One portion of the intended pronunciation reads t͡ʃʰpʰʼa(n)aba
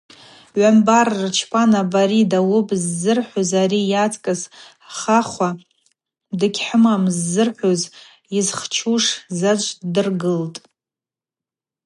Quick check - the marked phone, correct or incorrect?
correct